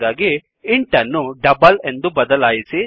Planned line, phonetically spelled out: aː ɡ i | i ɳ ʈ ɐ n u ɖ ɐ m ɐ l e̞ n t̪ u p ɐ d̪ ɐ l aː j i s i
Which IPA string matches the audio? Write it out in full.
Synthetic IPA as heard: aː ɡ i | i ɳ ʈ ɐ nː u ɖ ɐ b ɐ l e̞ n d̪ u b ɐ d̪ ɐ l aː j i s i